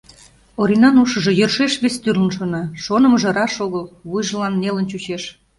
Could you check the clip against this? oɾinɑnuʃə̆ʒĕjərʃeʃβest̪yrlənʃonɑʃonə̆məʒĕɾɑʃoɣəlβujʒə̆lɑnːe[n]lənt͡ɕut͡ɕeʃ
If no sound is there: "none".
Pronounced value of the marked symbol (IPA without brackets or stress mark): none